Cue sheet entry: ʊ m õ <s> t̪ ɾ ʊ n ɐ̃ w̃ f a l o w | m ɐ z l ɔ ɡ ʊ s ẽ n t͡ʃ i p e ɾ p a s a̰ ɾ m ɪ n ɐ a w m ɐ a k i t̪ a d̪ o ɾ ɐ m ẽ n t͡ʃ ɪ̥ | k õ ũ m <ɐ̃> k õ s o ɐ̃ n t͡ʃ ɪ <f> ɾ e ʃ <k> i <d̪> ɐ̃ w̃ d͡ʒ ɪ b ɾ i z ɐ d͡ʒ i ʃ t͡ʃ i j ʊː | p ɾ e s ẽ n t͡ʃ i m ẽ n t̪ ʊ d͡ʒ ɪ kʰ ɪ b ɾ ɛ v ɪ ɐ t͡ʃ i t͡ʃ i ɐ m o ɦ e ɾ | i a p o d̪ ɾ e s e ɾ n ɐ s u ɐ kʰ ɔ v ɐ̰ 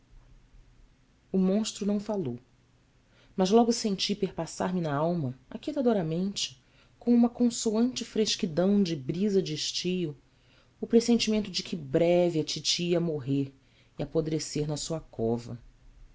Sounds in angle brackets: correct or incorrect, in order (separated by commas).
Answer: incorrect, incorrect, correct, correct, correct